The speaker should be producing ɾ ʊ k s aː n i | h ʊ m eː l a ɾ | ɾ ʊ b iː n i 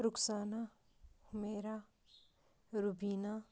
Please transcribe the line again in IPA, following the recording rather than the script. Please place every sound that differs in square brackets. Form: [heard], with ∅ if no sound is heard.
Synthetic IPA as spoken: ɾ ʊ k s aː n [a] | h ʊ m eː [ɾ] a [∅] | ɾ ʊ b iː n [a]

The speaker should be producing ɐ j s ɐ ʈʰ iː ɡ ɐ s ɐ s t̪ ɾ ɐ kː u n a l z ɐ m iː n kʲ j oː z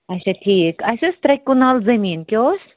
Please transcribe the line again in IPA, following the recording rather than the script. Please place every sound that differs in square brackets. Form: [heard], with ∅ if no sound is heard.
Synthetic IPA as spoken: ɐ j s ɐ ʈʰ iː [k] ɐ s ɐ s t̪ ɾ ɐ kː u n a l z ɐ m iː n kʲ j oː [s]

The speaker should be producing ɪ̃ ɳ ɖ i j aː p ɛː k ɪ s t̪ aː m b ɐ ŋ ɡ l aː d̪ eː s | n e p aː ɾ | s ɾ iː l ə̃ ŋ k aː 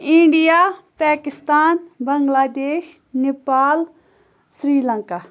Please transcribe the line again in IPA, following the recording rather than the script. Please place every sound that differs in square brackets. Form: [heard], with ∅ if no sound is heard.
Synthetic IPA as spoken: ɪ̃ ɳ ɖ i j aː p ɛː k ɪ s t̪ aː [n] b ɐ ŋ ɡ l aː d̪ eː [ʃ] | n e p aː [l] | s ɾ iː l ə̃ ŋ k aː

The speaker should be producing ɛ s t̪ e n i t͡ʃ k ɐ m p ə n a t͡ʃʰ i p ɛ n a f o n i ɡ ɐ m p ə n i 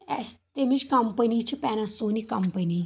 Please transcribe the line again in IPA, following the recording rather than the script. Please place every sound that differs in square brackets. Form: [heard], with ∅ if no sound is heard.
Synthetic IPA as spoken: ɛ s t̪ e [m] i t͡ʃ k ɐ m p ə n [i] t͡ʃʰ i p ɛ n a [s] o n i [k] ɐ m p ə n i

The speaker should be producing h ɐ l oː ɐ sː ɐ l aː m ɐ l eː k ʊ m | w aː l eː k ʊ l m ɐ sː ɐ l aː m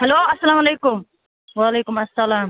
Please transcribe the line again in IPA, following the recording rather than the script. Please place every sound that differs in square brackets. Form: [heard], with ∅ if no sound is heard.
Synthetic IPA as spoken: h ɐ l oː ɐ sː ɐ l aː m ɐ l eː k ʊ m | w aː l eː k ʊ [∅] m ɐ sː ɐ l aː m

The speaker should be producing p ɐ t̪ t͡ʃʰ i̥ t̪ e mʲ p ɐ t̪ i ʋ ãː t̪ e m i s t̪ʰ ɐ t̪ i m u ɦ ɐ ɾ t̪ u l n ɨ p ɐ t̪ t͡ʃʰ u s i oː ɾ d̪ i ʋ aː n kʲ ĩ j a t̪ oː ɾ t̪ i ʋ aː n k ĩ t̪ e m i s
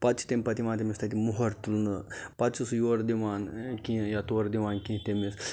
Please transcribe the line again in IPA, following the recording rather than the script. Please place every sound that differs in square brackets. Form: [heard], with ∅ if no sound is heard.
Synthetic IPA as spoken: p ɐ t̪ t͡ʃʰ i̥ t̪ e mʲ p ɐ t̪ i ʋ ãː t̪ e m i s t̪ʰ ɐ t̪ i m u ɦ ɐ ɾ t̪ u l n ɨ p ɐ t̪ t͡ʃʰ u s [j] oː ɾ d̪ i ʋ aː n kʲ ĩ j a t̪ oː ɾ [d̪] i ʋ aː n k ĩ t̪ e m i s

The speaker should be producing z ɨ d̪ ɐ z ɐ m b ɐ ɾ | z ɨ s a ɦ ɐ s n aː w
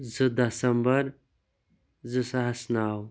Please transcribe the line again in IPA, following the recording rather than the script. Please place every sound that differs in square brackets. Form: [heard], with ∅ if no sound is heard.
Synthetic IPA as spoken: z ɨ d̪ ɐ [s] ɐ m b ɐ ɾ | z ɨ s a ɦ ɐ s n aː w

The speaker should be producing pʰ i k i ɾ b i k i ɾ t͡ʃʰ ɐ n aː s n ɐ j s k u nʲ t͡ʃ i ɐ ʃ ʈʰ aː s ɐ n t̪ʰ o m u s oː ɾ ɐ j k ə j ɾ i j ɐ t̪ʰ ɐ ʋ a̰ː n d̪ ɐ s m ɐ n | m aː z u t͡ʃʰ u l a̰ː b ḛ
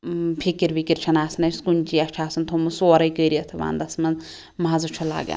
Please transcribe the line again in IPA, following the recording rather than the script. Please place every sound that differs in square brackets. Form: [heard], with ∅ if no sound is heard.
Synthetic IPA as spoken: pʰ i k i ɾ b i k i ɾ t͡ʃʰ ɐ n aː s n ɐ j s k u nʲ t͡ʃ i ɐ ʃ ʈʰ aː s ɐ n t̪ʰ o m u s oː ɾ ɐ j k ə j ɾ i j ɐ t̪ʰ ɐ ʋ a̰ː n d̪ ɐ s m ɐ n | m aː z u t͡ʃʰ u l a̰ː [ɡ] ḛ

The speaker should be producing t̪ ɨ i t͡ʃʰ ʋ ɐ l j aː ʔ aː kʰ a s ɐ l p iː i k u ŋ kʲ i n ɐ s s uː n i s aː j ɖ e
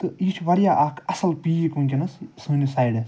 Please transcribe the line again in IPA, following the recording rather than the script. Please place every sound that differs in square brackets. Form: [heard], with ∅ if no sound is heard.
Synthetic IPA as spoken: t̪ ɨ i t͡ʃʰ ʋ ɐ [ɾ] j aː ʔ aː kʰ [ɐ] s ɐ l p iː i k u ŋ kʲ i n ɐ s s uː n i s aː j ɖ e

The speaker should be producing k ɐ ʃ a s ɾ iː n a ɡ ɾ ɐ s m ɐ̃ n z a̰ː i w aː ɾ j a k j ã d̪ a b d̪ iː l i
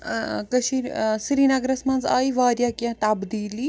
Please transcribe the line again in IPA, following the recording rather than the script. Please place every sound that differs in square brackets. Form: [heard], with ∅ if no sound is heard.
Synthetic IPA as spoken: k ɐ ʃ [i] s ɾ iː n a ɡ ɾ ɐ s m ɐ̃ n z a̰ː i [ʋ] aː ɾ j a k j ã [t̪] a b d̪ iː l i

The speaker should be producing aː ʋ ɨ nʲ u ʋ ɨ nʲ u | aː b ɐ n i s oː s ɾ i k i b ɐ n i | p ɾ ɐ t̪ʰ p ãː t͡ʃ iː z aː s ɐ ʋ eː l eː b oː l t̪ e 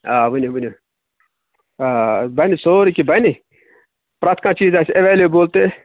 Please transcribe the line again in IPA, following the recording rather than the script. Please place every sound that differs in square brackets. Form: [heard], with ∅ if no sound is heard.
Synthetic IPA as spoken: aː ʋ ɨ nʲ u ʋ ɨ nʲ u | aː b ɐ n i s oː [∅] ɾ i k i b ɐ n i | p ɾ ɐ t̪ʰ [k] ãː t͡ʃ iː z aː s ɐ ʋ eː l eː b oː l t̪ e

